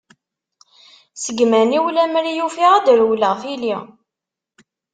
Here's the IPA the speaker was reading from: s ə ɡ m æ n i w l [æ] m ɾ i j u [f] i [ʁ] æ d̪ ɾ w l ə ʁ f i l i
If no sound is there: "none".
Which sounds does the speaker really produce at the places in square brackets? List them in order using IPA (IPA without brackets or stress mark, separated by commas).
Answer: æ, f, ʁ